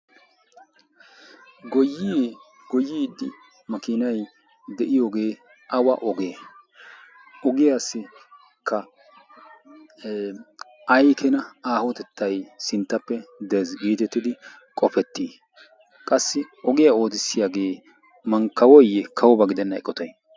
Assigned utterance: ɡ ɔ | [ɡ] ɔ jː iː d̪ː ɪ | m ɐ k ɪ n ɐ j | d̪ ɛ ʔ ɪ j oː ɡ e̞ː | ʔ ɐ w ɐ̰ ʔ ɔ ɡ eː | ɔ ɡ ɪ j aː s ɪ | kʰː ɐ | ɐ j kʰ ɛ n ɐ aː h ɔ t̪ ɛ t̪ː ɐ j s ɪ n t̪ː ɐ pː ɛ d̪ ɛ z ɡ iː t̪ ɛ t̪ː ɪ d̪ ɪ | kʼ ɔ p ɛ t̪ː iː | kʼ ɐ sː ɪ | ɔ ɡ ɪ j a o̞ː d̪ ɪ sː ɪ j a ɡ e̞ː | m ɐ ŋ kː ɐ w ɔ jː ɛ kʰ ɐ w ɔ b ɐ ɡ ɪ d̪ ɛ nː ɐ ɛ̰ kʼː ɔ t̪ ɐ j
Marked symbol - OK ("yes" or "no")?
yes